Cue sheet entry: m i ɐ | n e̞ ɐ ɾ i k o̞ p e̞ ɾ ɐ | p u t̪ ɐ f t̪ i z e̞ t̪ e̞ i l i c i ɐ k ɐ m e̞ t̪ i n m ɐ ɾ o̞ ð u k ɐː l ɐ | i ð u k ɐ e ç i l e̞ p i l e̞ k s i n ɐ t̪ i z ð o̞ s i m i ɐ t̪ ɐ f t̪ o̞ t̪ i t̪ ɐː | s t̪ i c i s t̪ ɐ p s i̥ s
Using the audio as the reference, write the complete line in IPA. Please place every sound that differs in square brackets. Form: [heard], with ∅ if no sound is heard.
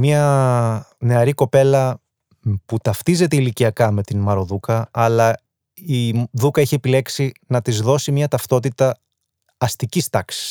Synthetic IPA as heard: m i ɐ | n e̞ ɐ ɾ i k o̞ p e̞ [l] ɐ | p u t̪ ɐ f t̪ i z e̞ t̪ e̞ i l i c i ɐ k ɐ m e̞ t̪ i n m ɐ ɾ o̞ ð u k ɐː l ɐ | i ð u k ɐ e ç i [∅] e̞ p i l e̞ k s i n ɐ t̪ i z ð o̞ s i m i ɐ t̪ ɐ f t̪ o̞ t̪ i t̪ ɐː | s t̪ i c i s t̪ ɐ [k] s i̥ s